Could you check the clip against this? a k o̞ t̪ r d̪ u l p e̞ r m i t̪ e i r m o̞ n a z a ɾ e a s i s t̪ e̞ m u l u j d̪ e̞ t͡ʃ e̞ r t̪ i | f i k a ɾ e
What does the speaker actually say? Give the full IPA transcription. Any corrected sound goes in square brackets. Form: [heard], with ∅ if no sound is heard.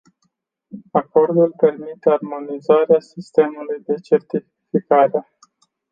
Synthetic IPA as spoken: a k o̞ [∅] r d̪ u l p e̞ r m i t̪ e [a] r m o̞ n [i] z a ɾ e a s i s t̪ e̞ m u l u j d̪ e̞ t͡ʃ e̞ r t̪ i | f i k a ɾ e